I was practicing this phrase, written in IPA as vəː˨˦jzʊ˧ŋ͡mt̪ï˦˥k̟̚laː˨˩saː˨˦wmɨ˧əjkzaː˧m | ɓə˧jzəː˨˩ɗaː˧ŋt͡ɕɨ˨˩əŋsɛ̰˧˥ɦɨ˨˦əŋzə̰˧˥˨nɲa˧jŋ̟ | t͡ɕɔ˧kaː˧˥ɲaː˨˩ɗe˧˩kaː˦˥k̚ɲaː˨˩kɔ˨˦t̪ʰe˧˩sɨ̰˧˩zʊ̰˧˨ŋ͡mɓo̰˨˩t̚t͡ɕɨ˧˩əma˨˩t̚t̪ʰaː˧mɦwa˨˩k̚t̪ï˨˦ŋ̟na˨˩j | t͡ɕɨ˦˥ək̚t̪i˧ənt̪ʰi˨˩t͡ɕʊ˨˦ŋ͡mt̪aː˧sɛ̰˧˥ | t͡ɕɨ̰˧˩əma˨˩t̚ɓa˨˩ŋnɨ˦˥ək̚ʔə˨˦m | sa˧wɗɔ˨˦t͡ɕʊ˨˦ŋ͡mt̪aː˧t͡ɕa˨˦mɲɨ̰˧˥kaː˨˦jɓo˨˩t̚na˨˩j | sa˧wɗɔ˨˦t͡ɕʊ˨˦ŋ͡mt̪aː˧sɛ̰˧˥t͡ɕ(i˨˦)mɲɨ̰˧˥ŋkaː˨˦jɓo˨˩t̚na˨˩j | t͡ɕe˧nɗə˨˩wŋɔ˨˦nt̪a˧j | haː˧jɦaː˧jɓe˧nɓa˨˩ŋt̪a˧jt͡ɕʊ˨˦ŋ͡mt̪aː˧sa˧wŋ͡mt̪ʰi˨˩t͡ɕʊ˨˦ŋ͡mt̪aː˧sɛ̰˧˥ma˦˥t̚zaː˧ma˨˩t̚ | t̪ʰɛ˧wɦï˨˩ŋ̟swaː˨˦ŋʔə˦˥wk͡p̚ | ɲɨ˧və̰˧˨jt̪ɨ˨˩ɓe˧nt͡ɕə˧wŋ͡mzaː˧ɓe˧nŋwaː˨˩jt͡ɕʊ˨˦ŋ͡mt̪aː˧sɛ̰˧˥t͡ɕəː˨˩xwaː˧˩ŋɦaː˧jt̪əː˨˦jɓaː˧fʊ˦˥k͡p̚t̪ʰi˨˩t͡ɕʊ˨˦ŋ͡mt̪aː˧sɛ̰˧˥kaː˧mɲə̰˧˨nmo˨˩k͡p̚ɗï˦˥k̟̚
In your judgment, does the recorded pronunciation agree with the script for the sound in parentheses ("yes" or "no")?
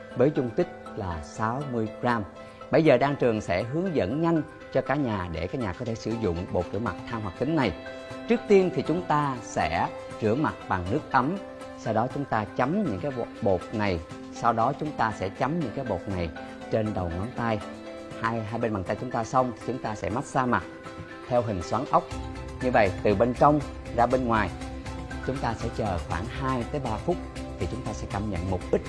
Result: no